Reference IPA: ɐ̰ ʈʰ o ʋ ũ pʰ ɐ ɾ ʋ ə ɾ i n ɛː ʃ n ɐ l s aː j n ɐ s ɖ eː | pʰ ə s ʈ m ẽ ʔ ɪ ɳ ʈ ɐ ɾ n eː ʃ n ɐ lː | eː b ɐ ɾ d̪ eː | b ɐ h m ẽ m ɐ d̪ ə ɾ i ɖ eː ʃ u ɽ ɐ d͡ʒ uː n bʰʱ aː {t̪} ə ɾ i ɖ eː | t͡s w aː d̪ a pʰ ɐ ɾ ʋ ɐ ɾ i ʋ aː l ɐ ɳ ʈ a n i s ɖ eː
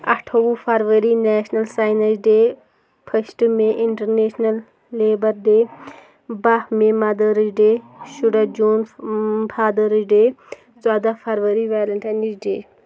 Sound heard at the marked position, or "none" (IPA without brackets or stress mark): d̪